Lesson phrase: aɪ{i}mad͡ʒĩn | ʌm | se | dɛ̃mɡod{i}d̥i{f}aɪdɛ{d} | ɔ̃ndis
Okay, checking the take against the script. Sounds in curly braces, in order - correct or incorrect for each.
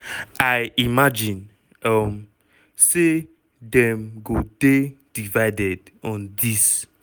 correct, incorrect: e, incorrect: v, correct

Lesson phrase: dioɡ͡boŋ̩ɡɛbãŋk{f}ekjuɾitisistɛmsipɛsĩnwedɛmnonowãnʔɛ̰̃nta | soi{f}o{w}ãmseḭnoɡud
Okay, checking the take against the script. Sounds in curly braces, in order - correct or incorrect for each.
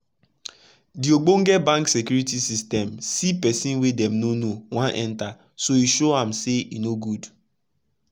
incorrect: s, incorrect: ʃ, incorrect: none

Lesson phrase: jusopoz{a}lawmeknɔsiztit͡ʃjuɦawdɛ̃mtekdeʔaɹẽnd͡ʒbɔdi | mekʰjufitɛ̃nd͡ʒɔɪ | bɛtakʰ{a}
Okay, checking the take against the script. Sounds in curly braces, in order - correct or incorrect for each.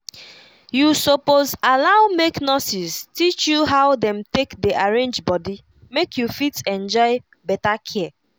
correct, incorrect: ɛ

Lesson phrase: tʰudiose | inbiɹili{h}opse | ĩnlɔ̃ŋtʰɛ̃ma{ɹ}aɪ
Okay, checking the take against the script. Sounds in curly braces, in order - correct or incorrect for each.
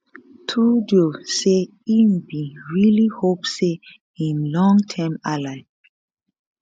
correct, incorrect: l

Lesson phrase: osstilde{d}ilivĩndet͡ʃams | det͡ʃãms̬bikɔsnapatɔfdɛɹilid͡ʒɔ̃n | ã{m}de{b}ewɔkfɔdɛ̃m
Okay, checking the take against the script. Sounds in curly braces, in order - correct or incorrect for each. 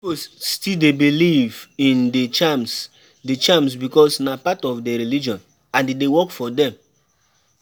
incorrect: b, incorrect: n, incorrect: d

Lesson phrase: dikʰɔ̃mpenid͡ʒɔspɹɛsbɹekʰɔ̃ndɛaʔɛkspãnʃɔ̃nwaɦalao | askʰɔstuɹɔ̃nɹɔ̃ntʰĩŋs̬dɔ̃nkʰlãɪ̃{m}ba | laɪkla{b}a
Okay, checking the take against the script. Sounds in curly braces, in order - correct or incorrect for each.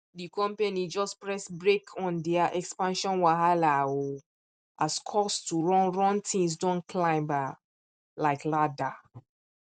correct, incorrect: d

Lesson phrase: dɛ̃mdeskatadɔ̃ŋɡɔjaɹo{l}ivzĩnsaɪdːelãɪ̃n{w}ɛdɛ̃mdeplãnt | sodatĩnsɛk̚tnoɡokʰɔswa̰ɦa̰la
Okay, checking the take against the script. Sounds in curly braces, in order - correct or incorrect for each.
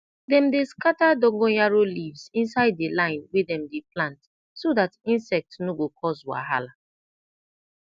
correct, correct

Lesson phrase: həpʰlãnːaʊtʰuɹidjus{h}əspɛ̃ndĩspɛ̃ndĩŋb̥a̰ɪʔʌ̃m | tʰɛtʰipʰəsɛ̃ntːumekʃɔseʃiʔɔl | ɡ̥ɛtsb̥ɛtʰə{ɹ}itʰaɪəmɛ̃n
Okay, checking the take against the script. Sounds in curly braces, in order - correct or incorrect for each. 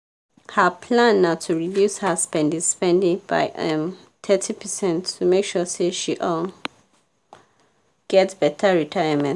correct, correct

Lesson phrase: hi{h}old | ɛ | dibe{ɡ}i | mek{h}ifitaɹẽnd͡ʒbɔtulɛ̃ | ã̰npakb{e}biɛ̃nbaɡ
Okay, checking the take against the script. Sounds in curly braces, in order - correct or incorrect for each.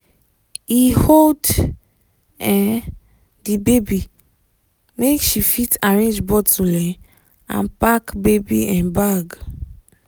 correct, incorrect: b, incorrect: ʃ, correct

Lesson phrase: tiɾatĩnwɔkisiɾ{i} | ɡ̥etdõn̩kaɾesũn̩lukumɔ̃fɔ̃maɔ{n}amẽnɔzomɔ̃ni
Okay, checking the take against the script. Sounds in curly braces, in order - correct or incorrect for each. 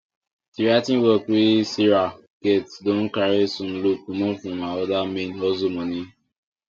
incorrect: a, incorrect: d

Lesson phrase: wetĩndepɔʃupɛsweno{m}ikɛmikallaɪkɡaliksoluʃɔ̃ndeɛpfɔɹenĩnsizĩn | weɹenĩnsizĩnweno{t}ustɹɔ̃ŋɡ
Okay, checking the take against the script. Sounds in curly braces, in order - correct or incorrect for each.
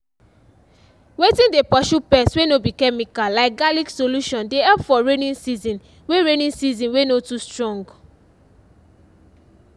incorrect: b, correct

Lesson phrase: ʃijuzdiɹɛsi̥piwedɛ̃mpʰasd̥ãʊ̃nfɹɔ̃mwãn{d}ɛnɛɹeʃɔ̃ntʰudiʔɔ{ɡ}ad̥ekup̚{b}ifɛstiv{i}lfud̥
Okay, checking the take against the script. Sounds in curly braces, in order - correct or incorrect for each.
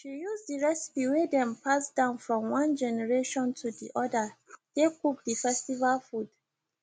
incorrect: d͡ʒ, incorrect: d, incorrect: d, incorrect: a

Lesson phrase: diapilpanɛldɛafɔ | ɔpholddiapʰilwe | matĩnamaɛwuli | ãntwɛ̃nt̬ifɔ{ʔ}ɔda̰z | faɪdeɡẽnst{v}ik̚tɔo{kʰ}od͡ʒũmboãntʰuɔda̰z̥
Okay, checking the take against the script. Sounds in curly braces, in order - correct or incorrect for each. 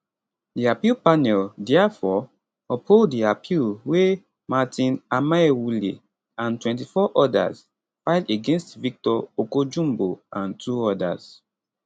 correct, correct, incorrect: k

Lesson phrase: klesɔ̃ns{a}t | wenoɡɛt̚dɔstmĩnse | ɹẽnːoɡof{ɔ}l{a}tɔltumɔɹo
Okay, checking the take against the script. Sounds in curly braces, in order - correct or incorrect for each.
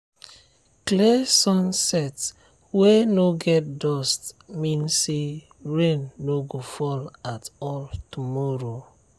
incorrect: ɛ, correct, correct

